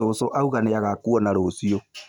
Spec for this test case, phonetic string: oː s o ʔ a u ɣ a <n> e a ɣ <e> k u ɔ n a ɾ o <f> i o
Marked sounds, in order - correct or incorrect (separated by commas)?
correct, incorrect, incorrect